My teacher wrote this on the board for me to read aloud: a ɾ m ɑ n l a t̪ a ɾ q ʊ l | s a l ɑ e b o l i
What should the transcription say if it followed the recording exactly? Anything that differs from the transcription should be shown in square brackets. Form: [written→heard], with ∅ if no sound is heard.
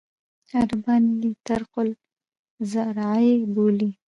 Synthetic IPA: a ɾ [m→b] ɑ n l [a→i] t̪ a ɾ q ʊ l | [s→z] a [l→ɾ] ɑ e b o l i